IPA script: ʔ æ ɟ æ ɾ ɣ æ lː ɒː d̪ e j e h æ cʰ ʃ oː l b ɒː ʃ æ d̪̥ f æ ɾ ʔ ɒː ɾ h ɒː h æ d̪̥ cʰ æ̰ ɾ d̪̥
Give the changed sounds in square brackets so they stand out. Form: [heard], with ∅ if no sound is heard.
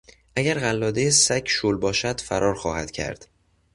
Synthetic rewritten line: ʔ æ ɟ æ ɾ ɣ æ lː ɒː d̪ e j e [s] æ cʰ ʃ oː l b ɒː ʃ æ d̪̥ f æ ɾ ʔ ɒː ɾ [x] ɒː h æ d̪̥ cʰ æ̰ ɾ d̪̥